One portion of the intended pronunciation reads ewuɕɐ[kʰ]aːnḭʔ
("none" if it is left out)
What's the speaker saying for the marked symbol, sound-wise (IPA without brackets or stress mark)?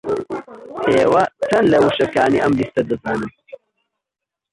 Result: k